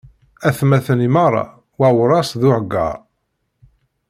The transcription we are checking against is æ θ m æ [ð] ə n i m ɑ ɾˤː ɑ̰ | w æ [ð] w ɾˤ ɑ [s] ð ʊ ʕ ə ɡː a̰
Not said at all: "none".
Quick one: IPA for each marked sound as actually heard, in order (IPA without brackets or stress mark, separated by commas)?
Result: θ, none, s